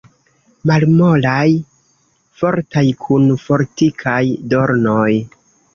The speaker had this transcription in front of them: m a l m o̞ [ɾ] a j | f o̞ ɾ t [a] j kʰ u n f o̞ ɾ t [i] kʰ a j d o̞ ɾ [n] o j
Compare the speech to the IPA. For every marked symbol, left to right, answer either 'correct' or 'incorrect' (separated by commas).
incorrect, correct, correct, correct